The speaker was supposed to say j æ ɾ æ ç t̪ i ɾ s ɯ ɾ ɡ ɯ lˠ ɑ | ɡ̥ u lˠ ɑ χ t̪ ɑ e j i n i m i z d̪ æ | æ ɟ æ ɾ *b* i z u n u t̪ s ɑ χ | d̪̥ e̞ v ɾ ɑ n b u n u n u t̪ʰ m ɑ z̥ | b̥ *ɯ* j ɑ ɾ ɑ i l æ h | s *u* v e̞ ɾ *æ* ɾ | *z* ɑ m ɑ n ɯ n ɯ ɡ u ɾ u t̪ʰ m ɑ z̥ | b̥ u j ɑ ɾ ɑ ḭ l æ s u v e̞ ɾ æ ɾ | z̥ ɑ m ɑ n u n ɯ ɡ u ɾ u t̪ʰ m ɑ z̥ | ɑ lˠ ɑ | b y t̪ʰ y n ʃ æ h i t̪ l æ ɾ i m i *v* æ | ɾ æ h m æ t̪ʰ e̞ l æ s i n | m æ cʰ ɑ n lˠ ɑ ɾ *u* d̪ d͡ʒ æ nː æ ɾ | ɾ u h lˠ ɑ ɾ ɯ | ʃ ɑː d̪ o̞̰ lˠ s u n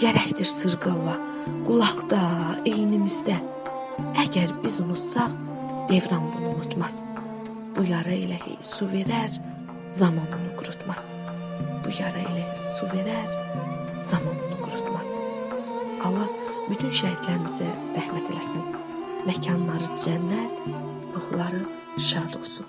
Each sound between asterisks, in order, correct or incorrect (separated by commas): correct, incorrect, correct, correct, correct, incorrect, incorrect